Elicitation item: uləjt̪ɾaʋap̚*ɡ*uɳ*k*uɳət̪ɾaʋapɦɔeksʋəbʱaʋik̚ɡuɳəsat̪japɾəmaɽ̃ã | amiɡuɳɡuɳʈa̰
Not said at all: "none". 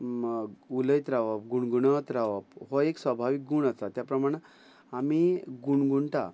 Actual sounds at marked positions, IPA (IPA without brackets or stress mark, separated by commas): ɡ, ɡ